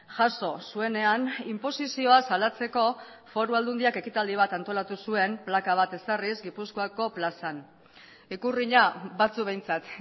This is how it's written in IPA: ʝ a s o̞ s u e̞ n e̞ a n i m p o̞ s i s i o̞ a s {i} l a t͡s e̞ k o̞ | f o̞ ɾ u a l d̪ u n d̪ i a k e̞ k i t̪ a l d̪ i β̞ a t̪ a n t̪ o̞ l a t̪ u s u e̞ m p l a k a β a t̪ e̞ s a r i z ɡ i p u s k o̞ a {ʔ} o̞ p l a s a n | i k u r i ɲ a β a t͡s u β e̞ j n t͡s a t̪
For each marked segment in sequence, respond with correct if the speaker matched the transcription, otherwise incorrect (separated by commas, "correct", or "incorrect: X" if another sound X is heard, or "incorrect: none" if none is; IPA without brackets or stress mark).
incorrect: a, incorrect: k